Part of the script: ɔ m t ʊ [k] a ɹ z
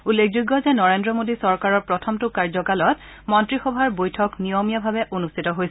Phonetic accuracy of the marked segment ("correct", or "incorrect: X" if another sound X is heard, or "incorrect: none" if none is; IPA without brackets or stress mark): correct